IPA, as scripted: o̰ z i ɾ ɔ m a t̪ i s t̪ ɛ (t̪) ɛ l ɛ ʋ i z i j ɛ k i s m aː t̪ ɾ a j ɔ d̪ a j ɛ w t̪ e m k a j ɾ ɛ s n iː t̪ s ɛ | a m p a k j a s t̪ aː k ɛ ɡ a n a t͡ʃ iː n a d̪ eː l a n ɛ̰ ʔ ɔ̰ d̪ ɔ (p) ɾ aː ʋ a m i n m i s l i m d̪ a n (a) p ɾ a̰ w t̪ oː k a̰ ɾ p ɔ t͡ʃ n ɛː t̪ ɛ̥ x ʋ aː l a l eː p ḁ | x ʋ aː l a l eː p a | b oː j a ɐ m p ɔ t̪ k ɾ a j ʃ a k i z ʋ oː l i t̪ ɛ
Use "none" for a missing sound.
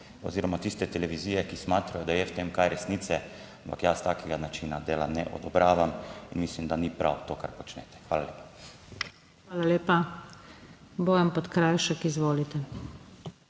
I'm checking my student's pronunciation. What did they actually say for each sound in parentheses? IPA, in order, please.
t̪, b, i

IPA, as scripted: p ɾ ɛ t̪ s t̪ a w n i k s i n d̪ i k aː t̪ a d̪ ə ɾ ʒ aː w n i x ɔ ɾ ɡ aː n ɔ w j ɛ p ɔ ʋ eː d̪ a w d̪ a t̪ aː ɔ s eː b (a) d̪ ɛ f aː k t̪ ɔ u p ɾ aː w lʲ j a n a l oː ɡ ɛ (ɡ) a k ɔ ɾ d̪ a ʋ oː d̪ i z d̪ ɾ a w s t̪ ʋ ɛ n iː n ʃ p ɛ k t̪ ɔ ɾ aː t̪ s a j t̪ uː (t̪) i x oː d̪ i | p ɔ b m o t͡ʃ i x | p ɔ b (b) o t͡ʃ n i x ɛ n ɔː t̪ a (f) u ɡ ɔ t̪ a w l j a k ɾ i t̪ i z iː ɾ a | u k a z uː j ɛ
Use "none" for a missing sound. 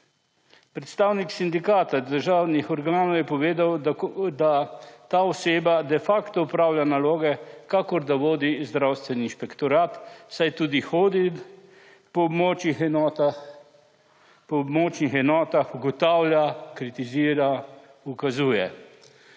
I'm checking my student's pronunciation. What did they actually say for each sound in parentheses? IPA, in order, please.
a, k, d̪, m, x

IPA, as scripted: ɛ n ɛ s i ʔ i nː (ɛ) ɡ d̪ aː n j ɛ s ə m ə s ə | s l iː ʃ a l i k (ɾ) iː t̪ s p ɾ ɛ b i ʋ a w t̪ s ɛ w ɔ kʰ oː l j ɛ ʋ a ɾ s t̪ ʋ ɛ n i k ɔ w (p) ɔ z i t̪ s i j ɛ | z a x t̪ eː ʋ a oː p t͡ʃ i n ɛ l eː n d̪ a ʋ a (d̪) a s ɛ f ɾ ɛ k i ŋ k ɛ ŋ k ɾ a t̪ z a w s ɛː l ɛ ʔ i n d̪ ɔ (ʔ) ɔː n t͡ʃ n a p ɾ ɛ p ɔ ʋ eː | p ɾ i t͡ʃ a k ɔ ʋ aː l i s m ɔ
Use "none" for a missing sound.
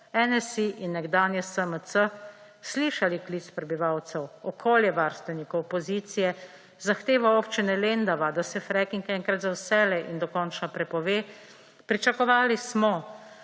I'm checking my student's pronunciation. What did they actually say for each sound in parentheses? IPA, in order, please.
ɛ, l, p, d̪, k

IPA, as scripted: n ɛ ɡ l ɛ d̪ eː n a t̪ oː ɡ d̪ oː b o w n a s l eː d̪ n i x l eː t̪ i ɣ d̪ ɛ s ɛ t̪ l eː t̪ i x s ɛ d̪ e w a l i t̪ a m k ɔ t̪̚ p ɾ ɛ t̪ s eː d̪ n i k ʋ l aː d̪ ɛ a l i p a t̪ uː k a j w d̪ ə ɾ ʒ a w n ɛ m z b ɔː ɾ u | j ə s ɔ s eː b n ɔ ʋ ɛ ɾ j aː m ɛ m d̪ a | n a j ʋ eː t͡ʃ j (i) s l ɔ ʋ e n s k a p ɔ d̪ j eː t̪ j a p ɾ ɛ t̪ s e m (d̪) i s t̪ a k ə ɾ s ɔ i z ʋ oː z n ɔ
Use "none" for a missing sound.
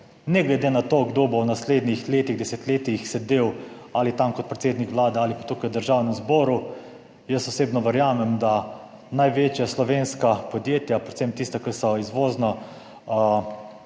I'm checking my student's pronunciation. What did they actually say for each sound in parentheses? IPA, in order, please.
a, t̪

